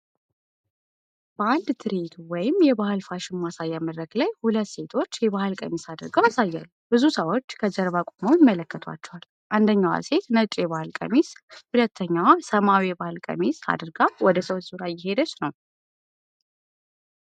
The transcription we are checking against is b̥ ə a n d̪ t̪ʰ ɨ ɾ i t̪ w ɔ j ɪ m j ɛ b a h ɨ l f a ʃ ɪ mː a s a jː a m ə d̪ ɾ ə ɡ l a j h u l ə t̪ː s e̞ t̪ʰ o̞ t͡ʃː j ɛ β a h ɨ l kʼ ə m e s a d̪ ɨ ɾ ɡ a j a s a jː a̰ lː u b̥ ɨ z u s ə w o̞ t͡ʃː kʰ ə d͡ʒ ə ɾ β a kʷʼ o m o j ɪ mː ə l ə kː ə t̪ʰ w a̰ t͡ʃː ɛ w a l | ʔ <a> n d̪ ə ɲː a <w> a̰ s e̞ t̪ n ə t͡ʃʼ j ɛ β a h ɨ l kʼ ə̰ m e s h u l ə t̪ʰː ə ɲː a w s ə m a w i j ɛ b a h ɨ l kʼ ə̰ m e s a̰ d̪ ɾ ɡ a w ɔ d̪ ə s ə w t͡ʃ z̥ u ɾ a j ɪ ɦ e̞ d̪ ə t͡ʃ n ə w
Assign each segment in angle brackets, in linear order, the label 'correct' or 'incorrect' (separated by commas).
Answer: correct, correct